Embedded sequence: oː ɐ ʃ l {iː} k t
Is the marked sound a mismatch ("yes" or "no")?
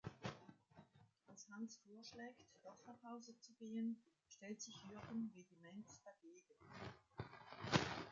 yes